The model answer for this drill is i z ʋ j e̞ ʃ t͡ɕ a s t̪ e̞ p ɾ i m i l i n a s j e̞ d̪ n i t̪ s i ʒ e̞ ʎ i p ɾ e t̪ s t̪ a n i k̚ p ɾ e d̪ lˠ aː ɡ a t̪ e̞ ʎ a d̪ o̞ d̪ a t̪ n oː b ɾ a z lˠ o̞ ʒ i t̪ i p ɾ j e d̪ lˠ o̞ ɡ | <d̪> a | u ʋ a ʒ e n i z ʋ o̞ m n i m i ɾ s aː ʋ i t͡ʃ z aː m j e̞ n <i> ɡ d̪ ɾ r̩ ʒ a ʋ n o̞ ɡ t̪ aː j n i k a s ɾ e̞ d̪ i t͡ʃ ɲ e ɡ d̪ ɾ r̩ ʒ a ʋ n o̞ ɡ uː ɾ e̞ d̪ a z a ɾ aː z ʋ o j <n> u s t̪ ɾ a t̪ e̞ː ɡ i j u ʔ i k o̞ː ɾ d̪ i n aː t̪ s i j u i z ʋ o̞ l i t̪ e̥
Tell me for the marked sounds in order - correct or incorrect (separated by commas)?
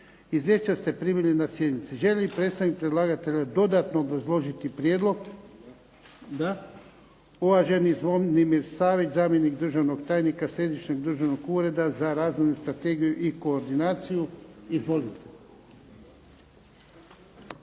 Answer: correct, correct, correct